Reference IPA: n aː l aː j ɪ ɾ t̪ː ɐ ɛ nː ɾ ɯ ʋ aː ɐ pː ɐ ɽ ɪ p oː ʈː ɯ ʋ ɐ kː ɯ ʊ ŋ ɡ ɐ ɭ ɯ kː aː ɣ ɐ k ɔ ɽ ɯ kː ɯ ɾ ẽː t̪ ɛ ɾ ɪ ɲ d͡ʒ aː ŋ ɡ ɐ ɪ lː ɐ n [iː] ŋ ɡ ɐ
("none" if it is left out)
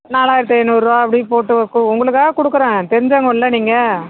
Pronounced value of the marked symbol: iː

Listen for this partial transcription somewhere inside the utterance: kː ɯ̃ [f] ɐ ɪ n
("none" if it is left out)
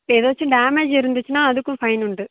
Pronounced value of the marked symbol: f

